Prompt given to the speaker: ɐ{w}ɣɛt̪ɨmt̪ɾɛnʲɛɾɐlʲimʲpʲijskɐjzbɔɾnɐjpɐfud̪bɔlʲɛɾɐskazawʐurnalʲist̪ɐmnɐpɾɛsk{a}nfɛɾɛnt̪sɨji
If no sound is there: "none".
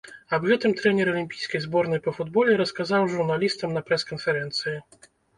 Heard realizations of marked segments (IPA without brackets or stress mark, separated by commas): b, ɐ